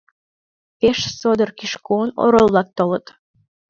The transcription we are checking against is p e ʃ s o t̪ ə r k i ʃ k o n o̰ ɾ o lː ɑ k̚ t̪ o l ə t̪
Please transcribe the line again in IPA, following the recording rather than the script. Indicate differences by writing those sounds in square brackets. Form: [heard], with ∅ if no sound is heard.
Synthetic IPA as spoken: p e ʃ s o [d̪] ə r k i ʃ k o n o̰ ɾ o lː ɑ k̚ t̪ o l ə t̪